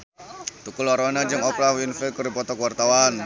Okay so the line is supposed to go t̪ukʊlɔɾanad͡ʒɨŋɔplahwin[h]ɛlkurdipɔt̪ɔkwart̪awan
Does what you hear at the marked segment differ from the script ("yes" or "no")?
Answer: yes